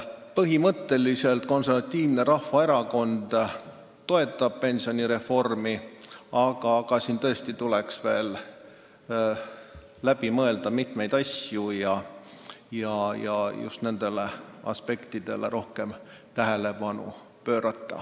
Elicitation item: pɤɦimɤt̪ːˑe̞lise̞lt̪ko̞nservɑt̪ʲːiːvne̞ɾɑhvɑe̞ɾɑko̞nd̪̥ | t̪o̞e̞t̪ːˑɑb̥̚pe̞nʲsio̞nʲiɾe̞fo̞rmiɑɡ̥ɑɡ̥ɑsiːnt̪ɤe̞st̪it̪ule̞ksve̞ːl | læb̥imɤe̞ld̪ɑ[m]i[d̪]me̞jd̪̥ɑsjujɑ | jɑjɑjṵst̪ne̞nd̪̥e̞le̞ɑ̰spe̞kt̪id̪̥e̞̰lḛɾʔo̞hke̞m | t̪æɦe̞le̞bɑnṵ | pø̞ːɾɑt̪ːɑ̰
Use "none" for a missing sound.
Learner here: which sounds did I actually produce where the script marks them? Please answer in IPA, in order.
m, t̪

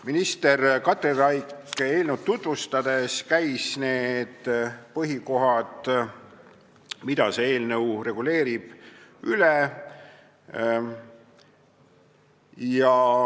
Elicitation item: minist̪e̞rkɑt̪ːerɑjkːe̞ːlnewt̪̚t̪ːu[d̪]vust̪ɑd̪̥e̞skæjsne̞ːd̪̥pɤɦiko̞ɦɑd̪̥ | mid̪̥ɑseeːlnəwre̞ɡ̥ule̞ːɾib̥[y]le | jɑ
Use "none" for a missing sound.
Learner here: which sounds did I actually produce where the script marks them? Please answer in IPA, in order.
t̪, y

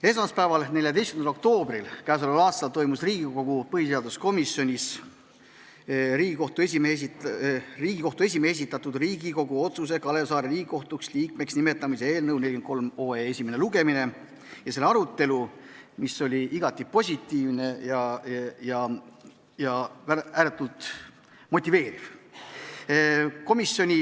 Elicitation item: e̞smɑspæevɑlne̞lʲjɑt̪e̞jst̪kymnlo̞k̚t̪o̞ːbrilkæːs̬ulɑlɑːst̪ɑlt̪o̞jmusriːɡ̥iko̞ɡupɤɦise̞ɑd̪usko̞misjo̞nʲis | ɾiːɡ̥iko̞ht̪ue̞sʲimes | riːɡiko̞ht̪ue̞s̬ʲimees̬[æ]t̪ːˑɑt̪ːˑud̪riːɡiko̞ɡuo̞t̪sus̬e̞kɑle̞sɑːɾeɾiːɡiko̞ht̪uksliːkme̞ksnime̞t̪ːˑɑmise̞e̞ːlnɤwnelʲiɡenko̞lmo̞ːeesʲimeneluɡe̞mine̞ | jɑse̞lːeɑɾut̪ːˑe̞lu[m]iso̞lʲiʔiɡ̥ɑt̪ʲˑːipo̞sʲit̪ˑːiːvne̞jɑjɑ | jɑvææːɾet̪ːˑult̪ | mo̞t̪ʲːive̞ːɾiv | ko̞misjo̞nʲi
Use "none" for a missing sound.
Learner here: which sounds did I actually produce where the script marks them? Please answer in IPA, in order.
i, m

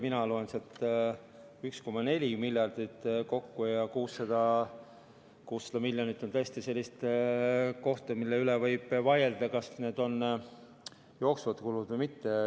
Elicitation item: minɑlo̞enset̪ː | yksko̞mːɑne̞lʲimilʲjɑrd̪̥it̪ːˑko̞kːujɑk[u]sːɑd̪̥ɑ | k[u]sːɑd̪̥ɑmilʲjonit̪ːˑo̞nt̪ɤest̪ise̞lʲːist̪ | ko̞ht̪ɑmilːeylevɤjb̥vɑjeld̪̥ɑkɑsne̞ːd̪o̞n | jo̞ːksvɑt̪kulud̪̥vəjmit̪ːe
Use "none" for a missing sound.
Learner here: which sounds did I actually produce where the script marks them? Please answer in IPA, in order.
uː, uː

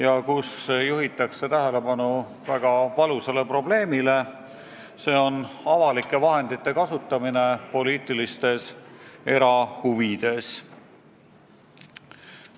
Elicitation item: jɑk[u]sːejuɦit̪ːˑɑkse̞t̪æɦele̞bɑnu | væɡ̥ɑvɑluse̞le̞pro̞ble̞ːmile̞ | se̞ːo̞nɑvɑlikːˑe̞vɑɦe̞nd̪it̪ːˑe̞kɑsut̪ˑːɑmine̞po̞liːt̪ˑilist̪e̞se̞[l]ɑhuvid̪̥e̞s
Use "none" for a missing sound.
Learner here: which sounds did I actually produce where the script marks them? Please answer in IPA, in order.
u, ɾ

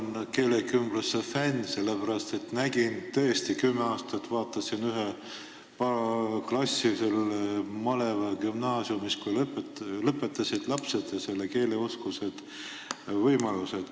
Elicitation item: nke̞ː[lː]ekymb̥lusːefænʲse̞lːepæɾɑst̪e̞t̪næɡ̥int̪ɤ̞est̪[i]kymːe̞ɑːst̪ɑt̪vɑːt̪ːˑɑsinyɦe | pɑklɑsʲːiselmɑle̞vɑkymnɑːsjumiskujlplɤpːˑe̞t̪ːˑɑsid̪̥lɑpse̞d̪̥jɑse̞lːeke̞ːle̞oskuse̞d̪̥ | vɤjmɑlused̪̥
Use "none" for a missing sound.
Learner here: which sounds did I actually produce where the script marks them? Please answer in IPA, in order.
l, i

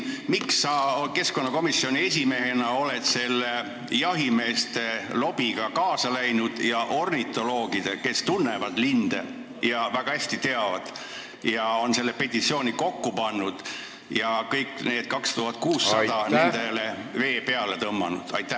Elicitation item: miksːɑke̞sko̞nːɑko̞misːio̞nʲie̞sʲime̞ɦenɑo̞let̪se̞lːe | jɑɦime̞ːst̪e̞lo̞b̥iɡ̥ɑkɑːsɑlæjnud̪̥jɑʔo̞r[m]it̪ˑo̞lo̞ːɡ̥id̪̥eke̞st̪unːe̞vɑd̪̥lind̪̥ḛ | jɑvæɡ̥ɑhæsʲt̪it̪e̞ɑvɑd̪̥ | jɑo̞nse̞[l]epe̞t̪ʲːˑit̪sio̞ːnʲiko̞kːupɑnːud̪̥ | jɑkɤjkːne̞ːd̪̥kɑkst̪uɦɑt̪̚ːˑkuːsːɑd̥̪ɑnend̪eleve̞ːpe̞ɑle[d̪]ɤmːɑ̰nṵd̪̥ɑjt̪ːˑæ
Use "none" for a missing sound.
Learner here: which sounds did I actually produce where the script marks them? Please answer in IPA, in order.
n, lː, t̪

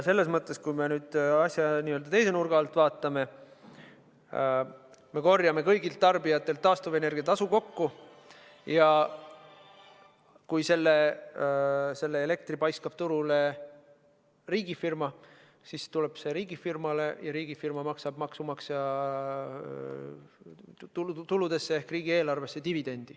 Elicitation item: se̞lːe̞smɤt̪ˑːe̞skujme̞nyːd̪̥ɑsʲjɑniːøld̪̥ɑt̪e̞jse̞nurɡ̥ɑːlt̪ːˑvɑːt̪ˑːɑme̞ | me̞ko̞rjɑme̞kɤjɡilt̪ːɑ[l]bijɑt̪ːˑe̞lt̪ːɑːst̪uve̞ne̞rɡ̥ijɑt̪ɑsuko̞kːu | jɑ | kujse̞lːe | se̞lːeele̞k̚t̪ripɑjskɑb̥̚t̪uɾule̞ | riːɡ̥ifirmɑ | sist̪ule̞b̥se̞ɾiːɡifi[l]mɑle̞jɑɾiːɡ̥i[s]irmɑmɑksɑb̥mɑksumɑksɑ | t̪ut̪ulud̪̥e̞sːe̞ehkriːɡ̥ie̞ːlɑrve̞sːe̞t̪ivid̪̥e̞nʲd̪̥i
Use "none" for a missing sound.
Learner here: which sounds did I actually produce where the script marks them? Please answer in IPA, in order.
r, r, f

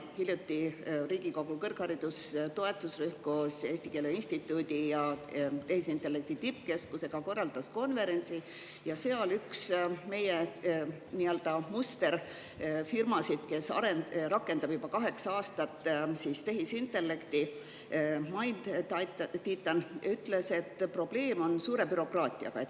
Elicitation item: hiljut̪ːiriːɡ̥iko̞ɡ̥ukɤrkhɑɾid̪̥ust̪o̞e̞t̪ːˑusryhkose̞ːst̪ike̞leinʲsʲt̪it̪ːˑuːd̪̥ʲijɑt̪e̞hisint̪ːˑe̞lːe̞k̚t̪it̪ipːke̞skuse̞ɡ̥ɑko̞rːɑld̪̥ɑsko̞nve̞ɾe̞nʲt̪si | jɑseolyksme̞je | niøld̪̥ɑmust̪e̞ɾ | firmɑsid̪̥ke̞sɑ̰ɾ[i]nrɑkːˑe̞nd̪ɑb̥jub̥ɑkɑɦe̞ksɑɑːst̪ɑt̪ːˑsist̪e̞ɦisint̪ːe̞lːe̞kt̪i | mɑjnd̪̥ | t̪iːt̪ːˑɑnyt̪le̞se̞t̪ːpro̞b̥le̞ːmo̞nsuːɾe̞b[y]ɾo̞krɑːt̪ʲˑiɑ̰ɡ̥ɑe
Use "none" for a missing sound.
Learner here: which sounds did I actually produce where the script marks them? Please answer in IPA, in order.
e, y

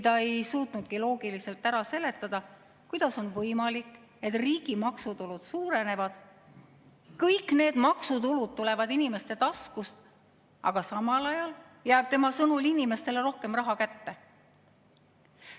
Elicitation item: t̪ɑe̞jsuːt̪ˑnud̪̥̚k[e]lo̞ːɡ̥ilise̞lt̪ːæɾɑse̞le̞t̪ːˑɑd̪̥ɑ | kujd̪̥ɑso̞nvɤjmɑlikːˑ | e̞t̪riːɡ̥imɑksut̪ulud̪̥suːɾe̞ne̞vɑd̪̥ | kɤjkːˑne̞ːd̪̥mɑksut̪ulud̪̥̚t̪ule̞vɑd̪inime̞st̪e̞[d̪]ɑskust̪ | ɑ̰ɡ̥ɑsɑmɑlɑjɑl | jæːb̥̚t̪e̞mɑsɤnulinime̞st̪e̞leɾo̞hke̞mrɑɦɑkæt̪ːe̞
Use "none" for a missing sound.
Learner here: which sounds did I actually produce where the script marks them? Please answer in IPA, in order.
i, t̪

